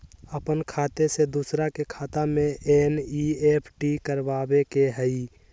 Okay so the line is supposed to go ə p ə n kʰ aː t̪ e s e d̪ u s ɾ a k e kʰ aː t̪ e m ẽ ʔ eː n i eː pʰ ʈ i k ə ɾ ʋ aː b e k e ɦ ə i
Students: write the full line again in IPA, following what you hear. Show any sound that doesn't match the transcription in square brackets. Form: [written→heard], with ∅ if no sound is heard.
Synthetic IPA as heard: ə p ə n kʰ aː t̪ e s e d̪ u s ɾ a k e kʰ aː t̪ [e→a] m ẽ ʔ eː n i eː pʰ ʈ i k ə ɾ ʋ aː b e k e ɦ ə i

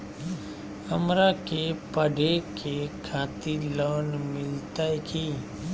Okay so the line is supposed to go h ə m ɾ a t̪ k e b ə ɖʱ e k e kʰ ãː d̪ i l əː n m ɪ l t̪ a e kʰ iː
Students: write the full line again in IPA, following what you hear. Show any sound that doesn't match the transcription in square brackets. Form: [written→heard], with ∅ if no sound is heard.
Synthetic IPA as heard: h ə m ɾ a [t̪→∅] k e [b→p] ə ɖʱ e k e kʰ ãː [d̪→t̪] i l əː n m ɪ l t̪ a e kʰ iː

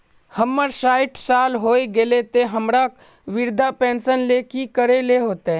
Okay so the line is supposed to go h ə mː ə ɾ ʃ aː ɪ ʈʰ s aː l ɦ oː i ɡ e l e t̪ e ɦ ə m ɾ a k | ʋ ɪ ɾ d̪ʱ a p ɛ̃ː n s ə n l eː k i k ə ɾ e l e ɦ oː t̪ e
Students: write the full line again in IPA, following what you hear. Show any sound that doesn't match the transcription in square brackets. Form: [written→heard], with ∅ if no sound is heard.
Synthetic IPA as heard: h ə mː ə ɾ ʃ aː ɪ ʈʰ s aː l ɦ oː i ɡ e l e t̪ e ɦ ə m ɾ a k | ʋ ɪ ɾ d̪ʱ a p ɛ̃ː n s ə n l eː k i k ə ɾ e l e ɦ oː t̪ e

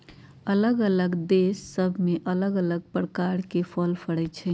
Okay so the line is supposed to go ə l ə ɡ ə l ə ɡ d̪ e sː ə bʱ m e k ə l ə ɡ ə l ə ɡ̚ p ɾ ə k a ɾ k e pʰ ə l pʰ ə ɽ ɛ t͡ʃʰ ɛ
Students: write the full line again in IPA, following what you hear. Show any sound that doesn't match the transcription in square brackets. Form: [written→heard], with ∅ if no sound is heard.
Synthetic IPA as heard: ə l ə ɡ ə l ə ɡ d̪ e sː ə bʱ m e [k→ʔ] ə l ə ɡ ə l ə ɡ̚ p ɾ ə k a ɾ k e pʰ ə l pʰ ə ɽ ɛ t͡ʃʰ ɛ

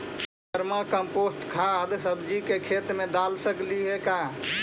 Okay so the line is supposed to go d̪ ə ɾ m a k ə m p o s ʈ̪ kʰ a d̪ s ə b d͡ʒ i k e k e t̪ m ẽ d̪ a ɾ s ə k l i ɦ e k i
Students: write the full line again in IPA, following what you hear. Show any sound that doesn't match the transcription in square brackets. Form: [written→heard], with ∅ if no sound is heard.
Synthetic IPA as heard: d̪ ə ɾ m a k ə m p o s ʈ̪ kʰ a d̪ s ə b d͡ʒ i k e [k→kʰ] e t̪ m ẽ d̪ a [ɾ→l] s ə k l i ɦ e k [i→a]

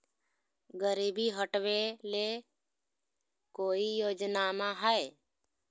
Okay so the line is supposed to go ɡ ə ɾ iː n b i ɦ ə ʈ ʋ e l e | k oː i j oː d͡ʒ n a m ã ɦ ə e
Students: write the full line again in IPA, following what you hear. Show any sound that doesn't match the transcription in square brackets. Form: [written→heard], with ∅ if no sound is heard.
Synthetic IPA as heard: ɡ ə ɾ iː [n→∅] b i ɦ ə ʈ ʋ e l e | k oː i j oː d͡ʒ n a m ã ɦ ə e

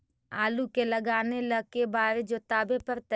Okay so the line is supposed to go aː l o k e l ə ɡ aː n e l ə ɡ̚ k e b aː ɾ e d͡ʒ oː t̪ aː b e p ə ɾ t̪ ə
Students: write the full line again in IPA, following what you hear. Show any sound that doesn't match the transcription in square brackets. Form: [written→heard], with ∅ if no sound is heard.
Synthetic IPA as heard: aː l [o→u] k e l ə ɡ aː n e l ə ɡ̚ k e b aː ɾ e d͡ʒ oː t̪ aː b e p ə ɾ t̪ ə

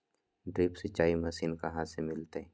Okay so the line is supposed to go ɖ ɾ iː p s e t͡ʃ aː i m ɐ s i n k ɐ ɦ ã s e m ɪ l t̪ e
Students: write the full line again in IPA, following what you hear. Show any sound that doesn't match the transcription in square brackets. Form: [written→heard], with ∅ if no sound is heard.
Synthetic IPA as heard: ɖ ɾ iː p s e t͡ʃ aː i m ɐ s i n k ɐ ɦ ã s e m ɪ l t̪ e

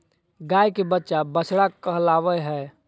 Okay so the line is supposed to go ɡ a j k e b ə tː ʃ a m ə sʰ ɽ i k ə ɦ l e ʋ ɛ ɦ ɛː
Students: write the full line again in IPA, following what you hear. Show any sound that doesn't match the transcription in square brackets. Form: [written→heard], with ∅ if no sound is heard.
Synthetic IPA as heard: ɡ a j k e b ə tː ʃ a [m→b] ə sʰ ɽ [i→a] k ə ɦ l [e→a] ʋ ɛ ɦ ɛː

